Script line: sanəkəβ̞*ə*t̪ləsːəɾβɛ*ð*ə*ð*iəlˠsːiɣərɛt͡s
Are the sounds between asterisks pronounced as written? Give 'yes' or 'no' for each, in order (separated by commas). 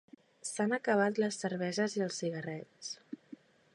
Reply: no, no, no